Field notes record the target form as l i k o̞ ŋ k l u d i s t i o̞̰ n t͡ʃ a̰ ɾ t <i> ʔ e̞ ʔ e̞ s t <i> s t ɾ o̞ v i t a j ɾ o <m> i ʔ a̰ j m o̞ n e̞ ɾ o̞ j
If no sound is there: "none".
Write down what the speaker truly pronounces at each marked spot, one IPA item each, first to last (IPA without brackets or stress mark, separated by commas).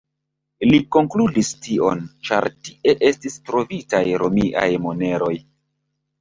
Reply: i, i, m